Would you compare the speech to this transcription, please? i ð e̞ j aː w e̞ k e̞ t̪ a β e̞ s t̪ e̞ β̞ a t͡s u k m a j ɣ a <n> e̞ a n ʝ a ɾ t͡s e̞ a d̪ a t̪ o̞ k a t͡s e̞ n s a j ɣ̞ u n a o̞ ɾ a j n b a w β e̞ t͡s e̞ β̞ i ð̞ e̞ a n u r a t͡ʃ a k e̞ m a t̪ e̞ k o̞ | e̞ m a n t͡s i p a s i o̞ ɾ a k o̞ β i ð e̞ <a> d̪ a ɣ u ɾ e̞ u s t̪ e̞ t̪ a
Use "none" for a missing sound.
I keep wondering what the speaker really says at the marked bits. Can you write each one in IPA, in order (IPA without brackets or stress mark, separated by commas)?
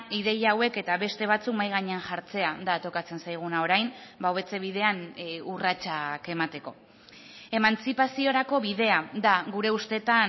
ɲ, a